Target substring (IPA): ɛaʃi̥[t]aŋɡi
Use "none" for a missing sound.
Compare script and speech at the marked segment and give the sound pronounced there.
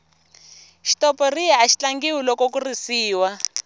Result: t͡ɬ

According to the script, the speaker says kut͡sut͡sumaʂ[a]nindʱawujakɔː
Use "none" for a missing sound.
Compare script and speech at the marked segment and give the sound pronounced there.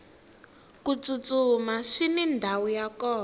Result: i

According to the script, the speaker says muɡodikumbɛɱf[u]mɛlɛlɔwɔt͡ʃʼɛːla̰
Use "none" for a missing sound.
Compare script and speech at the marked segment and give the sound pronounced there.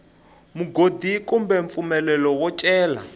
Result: u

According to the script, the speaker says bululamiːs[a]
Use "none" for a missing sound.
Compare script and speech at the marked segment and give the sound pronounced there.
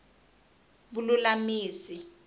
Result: i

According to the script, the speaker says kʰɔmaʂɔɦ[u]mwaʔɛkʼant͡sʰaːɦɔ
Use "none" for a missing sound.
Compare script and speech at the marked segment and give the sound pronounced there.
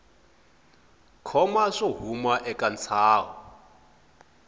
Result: u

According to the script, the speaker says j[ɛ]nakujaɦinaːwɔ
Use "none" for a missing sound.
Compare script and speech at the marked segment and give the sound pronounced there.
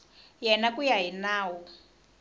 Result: ɛ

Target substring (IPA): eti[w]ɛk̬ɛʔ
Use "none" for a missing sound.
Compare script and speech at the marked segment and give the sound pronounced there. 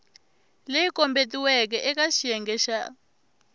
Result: w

